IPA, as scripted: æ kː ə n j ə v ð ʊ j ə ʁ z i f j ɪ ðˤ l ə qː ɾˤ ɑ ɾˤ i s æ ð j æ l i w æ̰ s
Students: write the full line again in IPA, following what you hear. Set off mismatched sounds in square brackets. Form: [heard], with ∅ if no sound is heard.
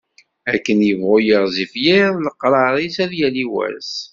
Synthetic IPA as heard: æ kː ə n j ə v [ʁ] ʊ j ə ʁ z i f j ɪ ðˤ l ə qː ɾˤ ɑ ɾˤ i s æ ð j æ l i w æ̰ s

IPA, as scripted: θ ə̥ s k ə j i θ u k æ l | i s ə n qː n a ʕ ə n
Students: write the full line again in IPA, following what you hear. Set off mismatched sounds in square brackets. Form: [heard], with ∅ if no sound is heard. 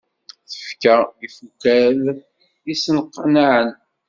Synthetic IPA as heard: θ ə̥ [f] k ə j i [f] u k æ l | i s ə n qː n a ʕ ə n

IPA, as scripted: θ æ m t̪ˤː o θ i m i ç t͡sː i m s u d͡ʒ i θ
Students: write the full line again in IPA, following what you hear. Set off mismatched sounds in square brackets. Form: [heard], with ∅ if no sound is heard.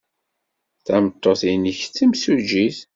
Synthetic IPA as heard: θ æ m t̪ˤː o θ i [n] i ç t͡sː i m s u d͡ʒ i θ

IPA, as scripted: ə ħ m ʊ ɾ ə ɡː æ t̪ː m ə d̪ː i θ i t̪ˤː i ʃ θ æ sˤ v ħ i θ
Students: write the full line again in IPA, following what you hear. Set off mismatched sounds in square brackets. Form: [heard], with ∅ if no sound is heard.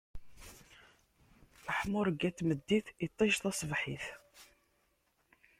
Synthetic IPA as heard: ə ħ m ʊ ɾ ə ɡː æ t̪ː m ə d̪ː i θ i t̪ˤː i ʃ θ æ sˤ v ħ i θ

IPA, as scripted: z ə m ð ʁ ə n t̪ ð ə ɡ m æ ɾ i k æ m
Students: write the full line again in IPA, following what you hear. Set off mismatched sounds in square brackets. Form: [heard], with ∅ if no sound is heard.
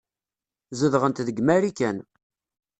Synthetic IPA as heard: z ə [∅] ð ʁ ə n t̪ ð ə ɡ m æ ɾ i k æ [n]

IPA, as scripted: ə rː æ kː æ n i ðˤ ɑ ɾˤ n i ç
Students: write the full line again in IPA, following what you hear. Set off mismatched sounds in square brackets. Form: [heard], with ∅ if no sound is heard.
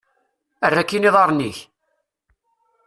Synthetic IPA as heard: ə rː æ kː [i] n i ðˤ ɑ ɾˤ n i ç

